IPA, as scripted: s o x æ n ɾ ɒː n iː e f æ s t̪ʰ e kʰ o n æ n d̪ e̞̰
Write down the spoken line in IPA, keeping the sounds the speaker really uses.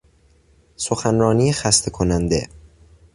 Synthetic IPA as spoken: s o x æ n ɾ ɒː n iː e x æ s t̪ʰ e kʰ o n æ n d̪ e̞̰